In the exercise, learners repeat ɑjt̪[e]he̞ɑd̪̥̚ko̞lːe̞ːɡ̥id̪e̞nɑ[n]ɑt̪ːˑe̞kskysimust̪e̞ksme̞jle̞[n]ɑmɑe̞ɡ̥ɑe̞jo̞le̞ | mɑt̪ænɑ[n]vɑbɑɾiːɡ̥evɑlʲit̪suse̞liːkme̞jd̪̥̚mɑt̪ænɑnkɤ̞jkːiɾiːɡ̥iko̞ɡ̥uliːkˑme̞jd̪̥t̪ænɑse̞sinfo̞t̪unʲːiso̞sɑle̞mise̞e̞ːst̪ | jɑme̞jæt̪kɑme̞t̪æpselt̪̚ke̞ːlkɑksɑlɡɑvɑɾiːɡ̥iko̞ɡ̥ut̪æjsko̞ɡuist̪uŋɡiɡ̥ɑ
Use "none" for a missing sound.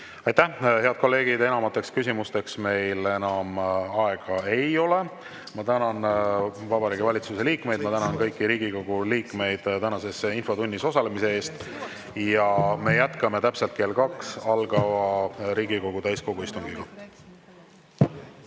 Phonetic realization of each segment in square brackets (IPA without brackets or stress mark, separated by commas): æ, m, n, n